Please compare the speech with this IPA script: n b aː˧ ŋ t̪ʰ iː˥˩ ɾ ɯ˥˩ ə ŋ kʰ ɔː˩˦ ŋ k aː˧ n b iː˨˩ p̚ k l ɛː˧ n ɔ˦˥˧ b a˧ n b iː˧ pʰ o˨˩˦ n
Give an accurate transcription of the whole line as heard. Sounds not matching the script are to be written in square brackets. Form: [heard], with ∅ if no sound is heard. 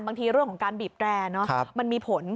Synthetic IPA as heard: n b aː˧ ŋ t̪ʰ [iː˧] ɾ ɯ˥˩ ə ŋ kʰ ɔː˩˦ ŋ k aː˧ n b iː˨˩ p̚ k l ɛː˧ n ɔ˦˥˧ [m] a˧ n [m] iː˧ pʰ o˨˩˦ n